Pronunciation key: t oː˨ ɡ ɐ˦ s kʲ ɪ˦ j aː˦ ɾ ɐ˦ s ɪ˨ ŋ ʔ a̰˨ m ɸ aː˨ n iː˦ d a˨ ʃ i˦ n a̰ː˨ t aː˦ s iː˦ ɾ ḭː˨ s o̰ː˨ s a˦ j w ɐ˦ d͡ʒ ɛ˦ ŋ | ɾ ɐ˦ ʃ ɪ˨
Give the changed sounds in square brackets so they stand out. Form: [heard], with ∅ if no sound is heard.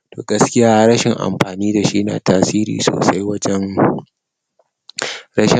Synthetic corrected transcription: t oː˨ ɡ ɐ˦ s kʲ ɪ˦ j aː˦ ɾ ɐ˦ [ʃ] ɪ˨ ŋ ʔ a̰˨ m ɸ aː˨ n iː˦ d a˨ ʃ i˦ n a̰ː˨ t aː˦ s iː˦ ɾ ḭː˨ s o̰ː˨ s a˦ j w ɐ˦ d͡ʒ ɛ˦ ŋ | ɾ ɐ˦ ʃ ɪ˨